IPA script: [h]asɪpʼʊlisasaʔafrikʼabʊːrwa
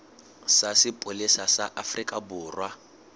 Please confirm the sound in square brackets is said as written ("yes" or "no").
no